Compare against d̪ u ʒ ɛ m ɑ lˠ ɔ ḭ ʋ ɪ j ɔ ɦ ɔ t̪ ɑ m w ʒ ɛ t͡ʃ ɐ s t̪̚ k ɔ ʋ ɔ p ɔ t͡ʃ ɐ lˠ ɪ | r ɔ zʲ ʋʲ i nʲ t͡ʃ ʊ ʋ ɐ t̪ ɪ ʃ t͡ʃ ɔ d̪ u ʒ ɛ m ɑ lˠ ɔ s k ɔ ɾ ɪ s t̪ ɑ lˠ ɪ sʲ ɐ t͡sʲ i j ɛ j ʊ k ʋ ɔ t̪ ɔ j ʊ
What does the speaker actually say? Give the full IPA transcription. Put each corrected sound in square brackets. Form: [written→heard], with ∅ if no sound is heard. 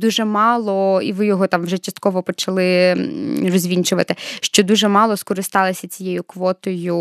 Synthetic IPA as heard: d̪ u ʒ ɛ m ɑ lˠ ɔ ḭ ʋ ɪ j ɔ ɦ ɔ t̪ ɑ m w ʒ ɛ t͡ʃ ɐ s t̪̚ k ɔ ʋ ɔ p ɔ t͡ʃ ɐ lˠ ɪ | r ɔ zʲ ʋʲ i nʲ t͡ʃ ʊ ʋ ɐ t̪ ɪ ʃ t͡ʃ ɔ d̪ u ʒ ɛ m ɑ lˠ ɔ s k ɔ ɾ ɪ s t̪ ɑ lˠ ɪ sʲ ɐ t͡sʲ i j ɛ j ʊ k ʋ ɔ t̪ ɔ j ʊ